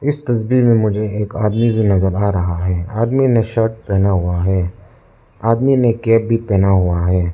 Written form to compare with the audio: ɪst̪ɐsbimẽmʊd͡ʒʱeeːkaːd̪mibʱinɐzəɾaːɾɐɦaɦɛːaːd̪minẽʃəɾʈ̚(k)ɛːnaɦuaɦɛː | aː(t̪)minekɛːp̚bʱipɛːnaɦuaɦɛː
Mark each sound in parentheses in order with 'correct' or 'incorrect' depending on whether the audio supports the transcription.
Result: incorrect: p, incorrect: d̪

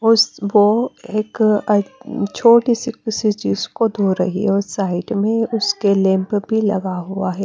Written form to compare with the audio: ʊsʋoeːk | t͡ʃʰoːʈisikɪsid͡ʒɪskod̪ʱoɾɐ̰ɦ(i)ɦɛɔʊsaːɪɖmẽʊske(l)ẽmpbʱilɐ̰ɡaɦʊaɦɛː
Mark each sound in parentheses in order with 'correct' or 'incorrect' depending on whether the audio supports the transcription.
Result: correct, correct

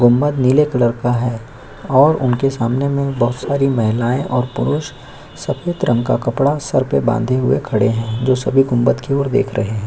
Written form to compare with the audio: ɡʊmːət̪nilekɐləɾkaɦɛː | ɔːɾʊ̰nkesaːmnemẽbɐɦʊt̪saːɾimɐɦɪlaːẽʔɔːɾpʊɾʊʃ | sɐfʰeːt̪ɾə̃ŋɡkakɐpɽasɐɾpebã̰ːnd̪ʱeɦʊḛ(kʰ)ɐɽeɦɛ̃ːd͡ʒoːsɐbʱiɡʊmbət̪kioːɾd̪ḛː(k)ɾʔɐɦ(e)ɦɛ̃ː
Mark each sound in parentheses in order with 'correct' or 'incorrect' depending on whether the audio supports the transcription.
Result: correct, incorrect: kʰ, correct

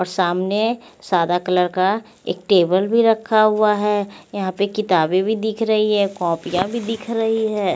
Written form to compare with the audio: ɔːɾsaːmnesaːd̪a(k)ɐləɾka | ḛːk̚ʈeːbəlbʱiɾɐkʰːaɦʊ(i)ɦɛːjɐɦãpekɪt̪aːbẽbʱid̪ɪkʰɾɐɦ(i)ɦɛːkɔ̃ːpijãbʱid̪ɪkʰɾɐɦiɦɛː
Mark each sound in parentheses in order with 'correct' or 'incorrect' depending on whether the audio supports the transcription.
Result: correct, incorrect: a, correct

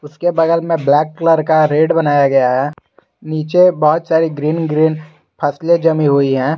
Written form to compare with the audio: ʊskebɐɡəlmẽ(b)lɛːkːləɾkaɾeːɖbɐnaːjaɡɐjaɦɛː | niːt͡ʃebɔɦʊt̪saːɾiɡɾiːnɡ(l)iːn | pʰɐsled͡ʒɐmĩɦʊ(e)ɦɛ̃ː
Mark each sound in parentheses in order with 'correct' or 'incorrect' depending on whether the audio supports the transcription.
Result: correct, incorrect: ɾ, incorrect: i

